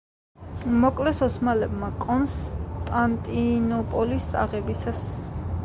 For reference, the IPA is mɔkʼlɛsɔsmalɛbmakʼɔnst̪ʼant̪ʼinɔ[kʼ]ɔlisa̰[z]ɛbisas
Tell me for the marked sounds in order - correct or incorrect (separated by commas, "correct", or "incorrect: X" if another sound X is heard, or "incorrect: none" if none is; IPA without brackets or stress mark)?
incorrect: pʼ, incorrect: ʁ